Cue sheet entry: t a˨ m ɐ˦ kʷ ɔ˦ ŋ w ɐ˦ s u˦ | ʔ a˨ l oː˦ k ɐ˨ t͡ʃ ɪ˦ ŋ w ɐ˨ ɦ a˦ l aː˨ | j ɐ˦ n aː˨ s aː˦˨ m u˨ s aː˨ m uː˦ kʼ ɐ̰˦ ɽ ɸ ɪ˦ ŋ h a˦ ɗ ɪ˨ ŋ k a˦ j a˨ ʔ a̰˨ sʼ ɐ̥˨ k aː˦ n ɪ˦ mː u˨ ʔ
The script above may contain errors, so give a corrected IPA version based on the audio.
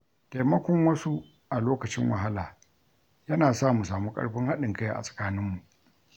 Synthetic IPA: t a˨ m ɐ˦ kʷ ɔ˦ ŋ w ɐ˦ s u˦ | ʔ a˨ l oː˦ k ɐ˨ t͡ʃ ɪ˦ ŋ w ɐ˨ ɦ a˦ l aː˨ | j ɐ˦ n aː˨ s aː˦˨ m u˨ s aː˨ m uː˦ kʼ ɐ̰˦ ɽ ɸ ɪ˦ ŋ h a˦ ɗ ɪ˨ ŋ k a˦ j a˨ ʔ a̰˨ sʼ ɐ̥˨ k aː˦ n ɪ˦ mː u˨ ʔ